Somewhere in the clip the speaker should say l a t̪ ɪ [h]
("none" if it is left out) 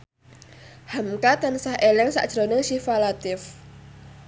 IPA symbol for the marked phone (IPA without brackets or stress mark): f